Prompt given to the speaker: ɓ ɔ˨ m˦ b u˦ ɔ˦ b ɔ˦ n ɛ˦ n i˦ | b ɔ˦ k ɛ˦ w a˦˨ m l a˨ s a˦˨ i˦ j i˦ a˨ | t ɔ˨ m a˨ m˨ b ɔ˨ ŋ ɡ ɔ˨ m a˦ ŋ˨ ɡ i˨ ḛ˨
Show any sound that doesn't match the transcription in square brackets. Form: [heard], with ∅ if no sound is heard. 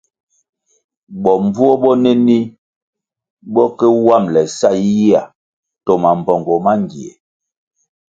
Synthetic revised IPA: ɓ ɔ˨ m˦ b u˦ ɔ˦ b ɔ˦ n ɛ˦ n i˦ | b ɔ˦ k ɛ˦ w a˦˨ m l [ɛ˨] s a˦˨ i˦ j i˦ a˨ | t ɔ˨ m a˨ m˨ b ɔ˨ ŋ ɡ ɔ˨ m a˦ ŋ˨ ɡ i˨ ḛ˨